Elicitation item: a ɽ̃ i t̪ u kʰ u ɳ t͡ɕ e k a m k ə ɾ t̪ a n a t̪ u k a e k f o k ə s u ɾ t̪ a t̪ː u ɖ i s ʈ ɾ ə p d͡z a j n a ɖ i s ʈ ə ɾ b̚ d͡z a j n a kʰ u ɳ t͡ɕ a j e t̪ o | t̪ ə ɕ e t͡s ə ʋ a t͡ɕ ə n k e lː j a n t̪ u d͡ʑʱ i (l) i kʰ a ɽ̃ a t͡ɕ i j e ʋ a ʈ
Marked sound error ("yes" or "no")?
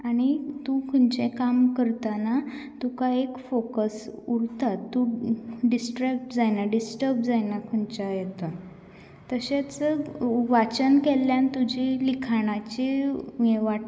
no